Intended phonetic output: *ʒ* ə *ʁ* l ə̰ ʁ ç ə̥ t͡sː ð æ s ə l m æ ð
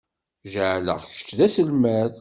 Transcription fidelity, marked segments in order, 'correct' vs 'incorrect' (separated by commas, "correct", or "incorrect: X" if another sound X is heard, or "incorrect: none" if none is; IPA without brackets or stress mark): correct, incorrect: ʕ